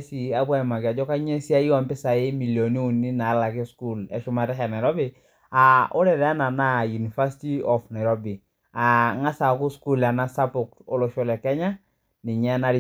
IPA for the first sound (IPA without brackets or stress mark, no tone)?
s